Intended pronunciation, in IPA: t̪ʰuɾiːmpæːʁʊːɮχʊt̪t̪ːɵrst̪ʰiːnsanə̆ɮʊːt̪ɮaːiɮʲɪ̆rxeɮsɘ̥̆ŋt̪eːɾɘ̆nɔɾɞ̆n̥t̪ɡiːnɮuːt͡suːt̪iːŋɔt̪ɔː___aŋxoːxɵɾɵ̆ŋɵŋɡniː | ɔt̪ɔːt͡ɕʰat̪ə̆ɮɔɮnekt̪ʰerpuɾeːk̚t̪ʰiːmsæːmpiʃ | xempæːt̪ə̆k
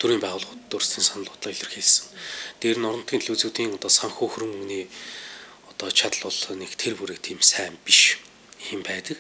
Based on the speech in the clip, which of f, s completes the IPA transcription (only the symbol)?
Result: s